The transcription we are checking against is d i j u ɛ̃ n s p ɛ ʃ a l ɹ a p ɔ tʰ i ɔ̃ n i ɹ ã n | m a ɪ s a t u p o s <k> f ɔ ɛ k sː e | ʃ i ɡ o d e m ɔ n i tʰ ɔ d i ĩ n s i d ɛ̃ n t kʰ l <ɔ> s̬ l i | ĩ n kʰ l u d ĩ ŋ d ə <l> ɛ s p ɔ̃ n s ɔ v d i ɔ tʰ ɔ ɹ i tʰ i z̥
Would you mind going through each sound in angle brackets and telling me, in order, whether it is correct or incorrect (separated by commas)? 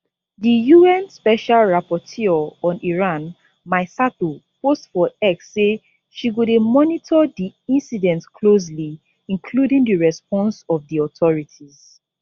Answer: incorrect, incorrect, incorrect